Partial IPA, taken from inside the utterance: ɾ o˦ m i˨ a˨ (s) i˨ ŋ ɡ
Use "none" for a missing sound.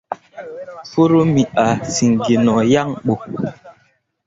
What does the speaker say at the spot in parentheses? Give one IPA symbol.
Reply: s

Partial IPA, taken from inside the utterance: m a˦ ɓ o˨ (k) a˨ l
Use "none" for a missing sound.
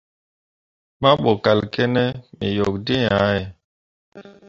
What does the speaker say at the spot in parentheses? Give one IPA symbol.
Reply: k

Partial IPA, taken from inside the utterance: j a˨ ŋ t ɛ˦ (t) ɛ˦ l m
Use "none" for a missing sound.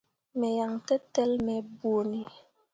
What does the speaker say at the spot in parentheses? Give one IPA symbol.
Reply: t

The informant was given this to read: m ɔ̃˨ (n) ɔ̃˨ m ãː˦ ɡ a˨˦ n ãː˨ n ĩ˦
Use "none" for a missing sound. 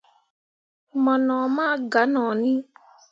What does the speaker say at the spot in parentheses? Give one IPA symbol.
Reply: n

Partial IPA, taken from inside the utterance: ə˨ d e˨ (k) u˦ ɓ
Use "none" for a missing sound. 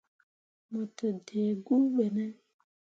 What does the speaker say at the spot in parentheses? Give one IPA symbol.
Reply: ɡ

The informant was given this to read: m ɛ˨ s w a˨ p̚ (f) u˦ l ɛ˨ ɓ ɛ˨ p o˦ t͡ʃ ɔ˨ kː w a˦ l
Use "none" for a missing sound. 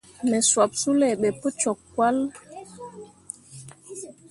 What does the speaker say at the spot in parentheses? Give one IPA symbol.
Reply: s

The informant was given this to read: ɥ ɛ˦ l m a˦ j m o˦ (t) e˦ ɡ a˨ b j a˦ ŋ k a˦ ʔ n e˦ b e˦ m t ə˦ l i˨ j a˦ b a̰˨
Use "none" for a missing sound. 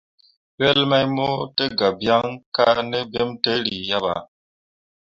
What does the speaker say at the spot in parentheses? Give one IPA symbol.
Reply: t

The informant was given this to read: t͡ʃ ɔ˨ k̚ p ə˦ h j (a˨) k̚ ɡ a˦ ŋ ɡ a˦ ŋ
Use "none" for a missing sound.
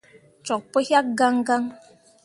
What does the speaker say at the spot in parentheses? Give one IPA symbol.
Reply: a˦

